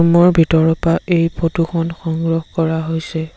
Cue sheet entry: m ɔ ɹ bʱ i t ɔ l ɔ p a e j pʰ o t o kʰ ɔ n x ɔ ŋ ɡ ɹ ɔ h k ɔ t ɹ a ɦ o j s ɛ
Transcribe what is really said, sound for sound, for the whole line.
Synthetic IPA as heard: m ɔ ɹ bʱ i t ɔ ɹ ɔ p a e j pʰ o t u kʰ ɔ n x ɔ ŋ ɡ ɹ ɔ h k ɔ ɹ a ɦ o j s ɛ